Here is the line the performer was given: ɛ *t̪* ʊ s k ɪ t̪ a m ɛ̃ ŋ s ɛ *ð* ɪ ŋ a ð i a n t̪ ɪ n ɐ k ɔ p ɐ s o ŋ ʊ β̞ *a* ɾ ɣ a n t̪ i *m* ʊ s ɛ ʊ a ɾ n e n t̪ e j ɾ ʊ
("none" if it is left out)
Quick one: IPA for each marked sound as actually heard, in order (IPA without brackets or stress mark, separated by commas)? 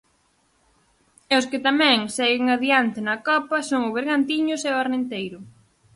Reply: none, ɣ, e, ɲ